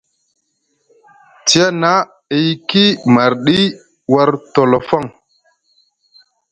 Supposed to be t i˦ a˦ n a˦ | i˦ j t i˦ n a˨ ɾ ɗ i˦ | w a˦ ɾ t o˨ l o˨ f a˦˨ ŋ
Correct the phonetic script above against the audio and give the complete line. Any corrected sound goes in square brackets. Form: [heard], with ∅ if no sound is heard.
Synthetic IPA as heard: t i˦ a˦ n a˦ | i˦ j [k] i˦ [m] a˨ ɾ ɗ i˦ | w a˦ ɾ t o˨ l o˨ f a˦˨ ŋ